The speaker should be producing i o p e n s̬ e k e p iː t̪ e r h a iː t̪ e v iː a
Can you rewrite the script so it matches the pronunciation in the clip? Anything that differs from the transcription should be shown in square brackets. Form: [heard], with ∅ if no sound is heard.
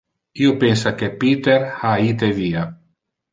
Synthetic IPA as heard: i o p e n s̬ [a] k e p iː t̪ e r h a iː t̪ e v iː a